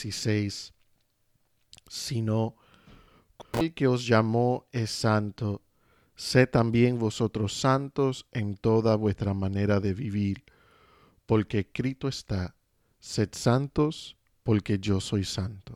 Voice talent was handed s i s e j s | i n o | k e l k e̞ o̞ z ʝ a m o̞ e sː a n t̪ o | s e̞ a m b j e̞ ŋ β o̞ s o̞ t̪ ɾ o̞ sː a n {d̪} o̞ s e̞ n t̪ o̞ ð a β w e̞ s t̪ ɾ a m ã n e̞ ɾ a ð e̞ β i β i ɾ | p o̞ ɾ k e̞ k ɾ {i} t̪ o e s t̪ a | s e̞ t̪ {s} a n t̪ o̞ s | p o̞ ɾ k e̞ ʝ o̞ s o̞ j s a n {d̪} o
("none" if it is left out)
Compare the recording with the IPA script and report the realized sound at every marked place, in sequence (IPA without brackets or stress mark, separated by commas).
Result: t̪, i, s, t̪